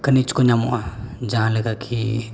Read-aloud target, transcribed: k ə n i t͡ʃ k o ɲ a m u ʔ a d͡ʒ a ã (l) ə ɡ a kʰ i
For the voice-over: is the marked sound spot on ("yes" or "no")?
yes